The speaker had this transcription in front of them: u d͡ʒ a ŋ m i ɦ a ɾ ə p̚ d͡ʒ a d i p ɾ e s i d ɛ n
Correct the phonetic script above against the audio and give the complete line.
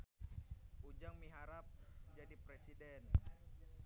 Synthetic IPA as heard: u d͡ʒ a ŋ m i ɦ a ɾ a p̚ d͡ʒ a d i p ɾ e s i d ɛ n